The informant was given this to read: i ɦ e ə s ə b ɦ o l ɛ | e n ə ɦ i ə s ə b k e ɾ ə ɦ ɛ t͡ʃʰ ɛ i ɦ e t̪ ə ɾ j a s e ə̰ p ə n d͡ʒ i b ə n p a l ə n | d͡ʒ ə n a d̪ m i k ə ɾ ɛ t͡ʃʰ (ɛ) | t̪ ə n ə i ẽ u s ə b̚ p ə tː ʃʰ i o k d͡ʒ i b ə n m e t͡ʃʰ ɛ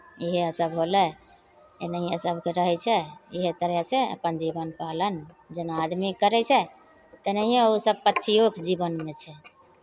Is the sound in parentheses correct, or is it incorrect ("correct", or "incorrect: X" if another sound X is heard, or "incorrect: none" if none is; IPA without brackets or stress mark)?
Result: correct